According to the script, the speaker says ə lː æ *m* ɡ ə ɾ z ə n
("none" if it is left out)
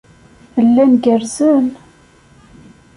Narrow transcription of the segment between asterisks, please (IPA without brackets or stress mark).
n